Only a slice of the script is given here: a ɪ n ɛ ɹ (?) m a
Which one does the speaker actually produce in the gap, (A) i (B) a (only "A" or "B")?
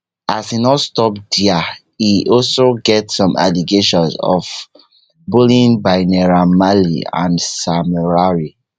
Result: B